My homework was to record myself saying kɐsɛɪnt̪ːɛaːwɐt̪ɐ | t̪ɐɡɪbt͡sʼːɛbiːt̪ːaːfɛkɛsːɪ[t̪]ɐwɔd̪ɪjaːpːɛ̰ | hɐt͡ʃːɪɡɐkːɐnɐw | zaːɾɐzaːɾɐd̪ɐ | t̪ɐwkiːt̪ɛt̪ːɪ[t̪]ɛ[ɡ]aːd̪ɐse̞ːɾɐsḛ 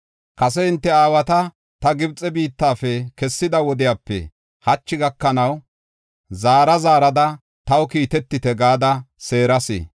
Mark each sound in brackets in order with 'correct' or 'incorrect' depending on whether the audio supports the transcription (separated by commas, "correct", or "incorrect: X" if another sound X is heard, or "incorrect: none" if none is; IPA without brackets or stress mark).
incorrect: d̪, correct, correct